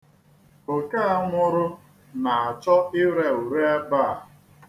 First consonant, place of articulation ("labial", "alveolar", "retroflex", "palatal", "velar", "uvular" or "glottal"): velar